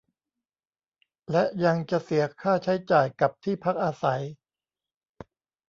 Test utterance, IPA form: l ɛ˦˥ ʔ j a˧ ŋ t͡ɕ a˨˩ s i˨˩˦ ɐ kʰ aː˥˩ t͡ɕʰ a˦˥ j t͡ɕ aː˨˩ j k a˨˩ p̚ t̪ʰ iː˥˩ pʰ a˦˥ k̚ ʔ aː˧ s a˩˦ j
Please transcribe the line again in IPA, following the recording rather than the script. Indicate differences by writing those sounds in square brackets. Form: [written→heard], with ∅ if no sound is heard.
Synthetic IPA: l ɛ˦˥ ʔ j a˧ ŋ t͡ɕ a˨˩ s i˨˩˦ ɐ kʰ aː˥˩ t͡ɕʰ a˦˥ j t͡ɕ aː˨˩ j k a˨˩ p̚ t̪ʰ iː˥˩ pʰ a˦˥ k̚ ʔ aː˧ s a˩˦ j